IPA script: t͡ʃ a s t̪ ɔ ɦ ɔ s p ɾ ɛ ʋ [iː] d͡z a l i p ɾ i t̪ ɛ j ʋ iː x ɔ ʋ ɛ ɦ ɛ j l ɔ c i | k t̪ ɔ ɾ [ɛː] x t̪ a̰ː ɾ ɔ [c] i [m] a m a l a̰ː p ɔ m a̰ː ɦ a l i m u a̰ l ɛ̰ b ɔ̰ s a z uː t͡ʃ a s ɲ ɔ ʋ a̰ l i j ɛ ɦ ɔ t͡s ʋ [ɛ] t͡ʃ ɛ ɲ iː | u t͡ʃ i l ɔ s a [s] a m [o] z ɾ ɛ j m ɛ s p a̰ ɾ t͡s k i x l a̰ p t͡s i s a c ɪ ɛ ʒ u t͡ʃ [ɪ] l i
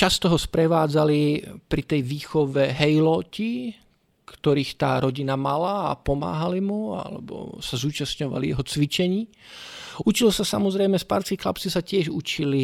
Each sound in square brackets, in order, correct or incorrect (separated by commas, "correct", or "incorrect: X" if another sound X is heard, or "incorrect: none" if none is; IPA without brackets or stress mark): incorrect: aː, incorrect: iː, incorrect: ɟ, incorrect: n, incorrect: i, correct, incorrect: ɔ, incorrect: i